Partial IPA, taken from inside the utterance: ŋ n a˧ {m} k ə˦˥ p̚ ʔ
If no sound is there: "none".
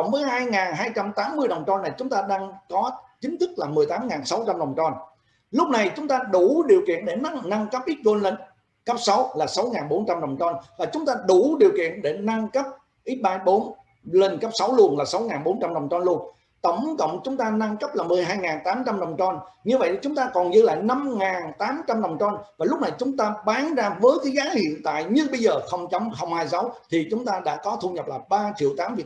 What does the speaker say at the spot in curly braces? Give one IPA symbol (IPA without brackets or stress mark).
ŋ